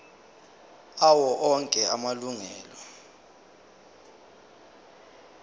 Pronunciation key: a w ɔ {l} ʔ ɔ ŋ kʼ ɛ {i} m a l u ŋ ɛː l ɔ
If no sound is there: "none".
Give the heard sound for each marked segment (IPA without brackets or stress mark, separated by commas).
none, a